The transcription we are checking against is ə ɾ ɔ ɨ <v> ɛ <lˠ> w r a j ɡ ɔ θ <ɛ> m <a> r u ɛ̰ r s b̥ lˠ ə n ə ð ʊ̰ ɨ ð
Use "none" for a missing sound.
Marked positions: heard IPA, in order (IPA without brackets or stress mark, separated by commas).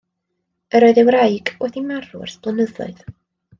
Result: ð, none, i, a